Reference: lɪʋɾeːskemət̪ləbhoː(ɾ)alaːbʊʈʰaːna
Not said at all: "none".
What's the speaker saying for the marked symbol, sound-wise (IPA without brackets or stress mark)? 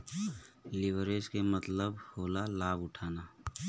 l